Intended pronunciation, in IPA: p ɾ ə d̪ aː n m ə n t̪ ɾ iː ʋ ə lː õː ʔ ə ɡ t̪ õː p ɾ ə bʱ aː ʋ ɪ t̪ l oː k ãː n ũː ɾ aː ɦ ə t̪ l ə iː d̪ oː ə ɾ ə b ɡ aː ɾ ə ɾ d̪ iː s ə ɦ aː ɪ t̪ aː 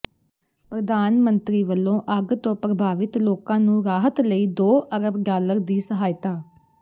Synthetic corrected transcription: p ɾ ə d̪ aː n m ə n t̪ ɾ iː ʋ ə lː õː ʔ ə ɡ t̪ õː p ɾ ə bʱ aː ʋ ɪ t̪ l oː k ãː n ũː ɾ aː ɦ ə t̪ l ə iː d̪ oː ə ɾ ə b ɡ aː l ə ɾ d̪ iː s ə ɦ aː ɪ t̪ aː